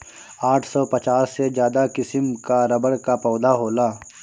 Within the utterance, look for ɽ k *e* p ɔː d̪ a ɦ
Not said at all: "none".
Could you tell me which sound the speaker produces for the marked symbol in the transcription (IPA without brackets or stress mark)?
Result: a